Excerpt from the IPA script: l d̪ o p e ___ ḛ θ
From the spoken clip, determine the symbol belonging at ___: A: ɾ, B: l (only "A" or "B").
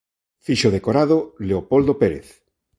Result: A